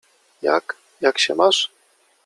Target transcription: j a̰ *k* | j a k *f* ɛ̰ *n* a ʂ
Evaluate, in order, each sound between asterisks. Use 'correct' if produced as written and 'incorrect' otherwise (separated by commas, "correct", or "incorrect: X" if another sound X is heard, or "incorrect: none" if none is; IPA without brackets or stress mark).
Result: correct, incorrect: ɕ, incorrect: m